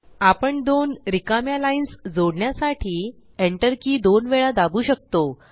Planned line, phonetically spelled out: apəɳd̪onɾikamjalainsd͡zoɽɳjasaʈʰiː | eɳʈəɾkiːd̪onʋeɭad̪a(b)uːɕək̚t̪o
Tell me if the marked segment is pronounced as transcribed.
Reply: yes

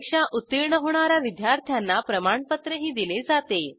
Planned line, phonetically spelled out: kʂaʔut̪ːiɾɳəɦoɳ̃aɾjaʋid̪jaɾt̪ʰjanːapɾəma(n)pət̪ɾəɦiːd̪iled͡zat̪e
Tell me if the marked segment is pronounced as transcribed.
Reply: no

